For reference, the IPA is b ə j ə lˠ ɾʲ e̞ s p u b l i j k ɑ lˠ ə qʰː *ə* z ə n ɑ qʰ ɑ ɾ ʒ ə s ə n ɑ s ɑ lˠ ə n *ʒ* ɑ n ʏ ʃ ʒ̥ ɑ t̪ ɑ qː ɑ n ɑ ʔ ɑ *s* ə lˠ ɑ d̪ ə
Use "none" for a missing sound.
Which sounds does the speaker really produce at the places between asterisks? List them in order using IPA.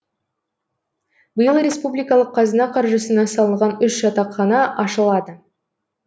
ɑ, ʁ, ʃ

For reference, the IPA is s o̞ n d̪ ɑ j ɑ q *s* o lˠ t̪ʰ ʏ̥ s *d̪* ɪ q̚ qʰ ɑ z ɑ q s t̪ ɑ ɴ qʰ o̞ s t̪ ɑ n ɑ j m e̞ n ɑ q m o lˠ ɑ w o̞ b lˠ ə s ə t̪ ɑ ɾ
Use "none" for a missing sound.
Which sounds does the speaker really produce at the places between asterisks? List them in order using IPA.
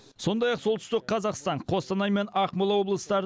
s, t̪

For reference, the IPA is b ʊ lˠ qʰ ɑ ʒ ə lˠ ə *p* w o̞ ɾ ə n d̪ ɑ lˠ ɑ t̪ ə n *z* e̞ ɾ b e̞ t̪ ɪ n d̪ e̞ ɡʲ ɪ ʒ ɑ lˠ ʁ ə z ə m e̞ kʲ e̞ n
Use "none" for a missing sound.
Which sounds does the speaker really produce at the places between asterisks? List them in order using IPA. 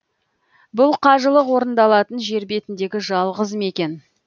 q, ʒ

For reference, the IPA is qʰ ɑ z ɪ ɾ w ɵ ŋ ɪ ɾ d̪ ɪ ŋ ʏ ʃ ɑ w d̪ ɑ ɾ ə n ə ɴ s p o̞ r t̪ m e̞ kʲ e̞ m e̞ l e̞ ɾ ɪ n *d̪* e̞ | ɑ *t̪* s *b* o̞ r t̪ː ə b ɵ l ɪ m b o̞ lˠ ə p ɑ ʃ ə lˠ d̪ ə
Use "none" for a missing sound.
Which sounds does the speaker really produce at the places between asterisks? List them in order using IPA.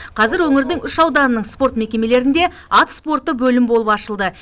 d̪, t̪, p

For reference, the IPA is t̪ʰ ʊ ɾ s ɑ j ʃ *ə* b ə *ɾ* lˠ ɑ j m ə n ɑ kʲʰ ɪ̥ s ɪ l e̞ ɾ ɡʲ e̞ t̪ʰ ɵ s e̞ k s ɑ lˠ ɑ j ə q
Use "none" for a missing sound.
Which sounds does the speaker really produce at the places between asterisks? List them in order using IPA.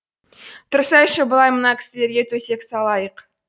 ə, none

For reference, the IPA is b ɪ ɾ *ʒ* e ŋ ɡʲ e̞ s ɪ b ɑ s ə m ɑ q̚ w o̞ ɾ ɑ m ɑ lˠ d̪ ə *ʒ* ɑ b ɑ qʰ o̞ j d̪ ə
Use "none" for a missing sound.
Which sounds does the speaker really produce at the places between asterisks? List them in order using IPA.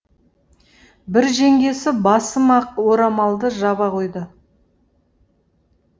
ʒ, ʒ

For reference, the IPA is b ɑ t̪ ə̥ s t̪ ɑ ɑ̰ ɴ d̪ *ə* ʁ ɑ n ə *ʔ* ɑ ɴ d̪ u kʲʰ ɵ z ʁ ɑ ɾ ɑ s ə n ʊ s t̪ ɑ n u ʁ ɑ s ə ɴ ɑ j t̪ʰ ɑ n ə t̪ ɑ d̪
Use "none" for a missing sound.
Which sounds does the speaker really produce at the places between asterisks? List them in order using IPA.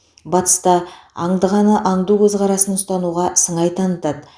ə, ʔ

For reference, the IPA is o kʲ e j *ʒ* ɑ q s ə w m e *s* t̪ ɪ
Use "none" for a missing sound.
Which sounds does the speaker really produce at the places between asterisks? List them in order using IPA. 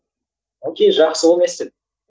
ʒ, s

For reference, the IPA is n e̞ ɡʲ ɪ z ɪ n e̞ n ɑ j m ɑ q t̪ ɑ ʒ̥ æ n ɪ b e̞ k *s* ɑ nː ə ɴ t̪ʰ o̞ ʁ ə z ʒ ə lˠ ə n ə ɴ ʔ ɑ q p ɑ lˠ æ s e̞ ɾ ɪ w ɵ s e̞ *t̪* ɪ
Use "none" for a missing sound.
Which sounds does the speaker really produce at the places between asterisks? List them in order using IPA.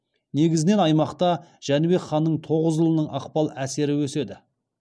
χ, d̪

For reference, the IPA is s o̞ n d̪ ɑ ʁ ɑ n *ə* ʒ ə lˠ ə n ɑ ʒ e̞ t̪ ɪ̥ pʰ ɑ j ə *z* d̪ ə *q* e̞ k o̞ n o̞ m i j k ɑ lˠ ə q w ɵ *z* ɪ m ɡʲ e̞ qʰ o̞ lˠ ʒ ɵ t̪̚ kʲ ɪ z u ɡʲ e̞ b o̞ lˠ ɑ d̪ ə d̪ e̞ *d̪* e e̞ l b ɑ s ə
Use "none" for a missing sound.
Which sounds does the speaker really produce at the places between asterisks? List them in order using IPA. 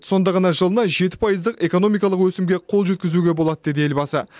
ɑ, z, q, s, d̪

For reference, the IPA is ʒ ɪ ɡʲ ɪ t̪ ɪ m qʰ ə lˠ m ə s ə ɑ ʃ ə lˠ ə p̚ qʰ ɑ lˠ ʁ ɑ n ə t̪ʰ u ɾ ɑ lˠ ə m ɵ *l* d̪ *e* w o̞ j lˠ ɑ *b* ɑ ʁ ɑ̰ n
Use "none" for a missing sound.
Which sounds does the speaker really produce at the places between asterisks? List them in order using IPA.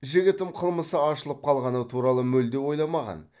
l, e, m

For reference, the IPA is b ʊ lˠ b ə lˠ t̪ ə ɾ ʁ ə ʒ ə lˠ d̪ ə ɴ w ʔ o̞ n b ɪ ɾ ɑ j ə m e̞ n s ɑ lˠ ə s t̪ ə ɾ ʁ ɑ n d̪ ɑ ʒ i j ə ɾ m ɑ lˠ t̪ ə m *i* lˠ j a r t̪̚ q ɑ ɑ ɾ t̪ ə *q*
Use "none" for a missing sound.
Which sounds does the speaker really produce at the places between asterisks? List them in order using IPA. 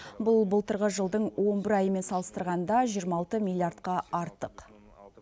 i, q

